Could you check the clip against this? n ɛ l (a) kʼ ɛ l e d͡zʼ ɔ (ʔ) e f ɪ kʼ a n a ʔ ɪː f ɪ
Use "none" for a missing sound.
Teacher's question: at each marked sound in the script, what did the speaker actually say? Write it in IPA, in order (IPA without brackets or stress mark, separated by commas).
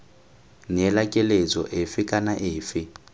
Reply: a, ʔ